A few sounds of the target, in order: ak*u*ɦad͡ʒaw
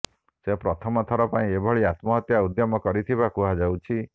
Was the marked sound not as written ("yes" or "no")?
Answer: no